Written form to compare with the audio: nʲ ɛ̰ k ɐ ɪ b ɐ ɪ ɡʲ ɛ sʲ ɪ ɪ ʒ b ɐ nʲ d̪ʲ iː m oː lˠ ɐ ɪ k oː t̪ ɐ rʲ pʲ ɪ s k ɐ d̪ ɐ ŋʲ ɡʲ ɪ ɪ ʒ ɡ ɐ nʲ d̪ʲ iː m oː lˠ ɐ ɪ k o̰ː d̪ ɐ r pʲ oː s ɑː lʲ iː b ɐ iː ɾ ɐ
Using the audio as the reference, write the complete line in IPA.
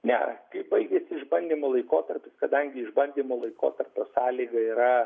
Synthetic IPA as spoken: nʲ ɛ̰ k ɐ ɪ b ɐ ɪ ɡʲ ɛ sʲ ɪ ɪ ʒ b ɐ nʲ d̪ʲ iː m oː lˠ ɐ ɪ k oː t̪ ɐ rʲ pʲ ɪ s k ɐ d̪ ɐ ŋʲ ɡʲ ɪ ɪ ʒ b ɐ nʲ d̪ʲ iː m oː lˠ ɐ ɪ k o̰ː t̪ ɐ r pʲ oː s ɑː lʲ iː ɡ ɐ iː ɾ ɐ